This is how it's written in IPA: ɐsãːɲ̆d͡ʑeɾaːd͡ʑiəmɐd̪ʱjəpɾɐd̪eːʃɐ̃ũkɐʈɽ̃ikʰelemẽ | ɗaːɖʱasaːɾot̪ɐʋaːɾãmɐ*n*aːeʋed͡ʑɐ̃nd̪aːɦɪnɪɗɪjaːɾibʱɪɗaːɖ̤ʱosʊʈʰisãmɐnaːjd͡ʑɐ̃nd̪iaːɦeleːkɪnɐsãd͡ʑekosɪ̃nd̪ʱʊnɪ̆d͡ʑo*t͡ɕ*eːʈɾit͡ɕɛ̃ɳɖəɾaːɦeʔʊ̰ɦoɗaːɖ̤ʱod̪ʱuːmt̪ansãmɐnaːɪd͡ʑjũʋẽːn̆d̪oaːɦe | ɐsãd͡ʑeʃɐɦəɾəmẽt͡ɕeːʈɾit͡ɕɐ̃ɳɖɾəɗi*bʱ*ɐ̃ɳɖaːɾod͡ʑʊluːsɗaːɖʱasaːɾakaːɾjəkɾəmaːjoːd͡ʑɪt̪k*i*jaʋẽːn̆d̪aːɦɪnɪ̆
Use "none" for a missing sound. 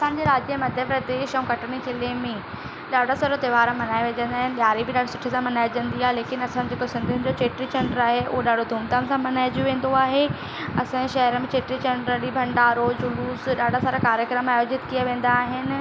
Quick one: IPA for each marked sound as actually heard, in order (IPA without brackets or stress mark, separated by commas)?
n, t͡ɕ, bʱ, i